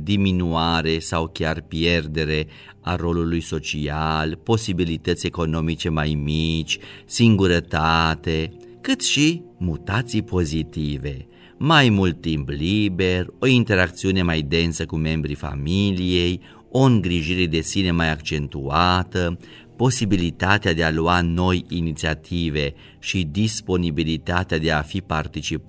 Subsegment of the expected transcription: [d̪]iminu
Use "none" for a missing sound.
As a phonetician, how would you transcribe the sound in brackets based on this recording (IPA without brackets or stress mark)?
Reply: d̪